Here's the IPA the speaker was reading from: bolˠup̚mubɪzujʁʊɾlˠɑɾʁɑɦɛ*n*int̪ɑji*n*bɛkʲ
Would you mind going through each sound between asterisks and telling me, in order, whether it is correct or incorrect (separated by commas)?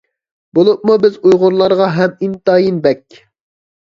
incorrect, correct